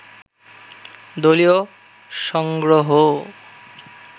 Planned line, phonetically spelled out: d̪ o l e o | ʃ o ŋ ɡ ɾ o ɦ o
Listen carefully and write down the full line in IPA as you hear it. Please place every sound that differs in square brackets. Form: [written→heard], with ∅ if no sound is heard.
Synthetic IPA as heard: d̪ o l [e→i] o | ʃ [o→ɔ] ŋ ɡ ɾ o ɦ o